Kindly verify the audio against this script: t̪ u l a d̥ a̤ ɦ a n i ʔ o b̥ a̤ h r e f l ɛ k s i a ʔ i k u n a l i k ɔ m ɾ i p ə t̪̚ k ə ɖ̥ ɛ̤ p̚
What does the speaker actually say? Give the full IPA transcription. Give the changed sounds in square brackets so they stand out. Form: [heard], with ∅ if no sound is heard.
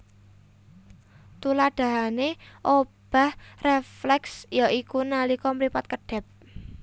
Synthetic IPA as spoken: t̪ u l a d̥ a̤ ɦ a n [e] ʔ o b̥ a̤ h r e f l ɛ k s [j] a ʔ i k u n a l i k ɔ m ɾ i p [a] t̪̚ k ə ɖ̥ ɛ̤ p̚